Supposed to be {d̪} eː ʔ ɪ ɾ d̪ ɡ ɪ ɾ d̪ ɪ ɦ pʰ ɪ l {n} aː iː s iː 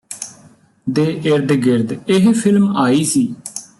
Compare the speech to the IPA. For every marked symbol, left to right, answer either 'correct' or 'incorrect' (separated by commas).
correct, incorrect